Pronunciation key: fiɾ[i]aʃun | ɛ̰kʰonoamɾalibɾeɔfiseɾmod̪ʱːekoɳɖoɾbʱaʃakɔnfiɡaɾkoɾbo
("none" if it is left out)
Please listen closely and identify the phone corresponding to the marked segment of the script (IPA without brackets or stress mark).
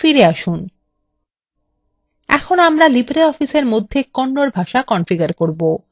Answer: e